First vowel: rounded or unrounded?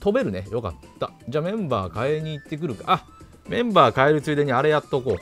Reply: rounded